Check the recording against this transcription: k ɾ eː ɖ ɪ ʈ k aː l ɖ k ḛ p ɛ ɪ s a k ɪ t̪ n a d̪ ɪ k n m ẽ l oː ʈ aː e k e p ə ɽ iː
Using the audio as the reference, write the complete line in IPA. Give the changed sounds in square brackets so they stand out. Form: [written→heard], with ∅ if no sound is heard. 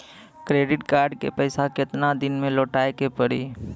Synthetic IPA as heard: k ɾ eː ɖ ɪ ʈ k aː [l→ɾ] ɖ k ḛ p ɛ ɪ s a k ɪ t̪ n a d̪ ɪ [k→∅] n m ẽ l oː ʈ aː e k e p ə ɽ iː